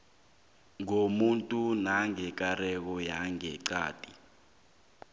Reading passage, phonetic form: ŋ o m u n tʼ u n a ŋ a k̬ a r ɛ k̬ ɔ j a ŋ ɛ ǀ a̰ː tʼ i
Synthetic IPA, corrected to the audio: ŋ o m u n tʼ u n a ŋ ɛ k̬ a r ɛ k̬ ɔ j a ŋ ɛ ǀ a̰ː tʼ i